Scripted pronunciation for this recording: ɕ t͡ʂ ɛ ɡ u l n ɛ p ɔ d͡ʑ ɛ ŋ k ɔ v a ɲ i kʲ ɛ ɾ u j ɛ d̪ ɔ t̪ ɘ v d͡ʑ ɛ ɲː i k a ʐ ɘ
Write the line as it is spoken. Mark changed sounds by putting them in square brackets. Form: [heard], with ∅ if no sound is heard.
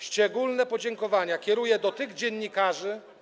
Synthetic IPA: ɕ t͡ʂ ɛ ɡ u l n ɛ p ɔ d͡ʑ ɛ ŋ k ɔ v a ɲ [a] kʲ ɛ ɾ u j ɛ d̪ ɔ t̪ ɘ [ɣ] d͡ʑ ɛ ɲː i k a ʐ ɘ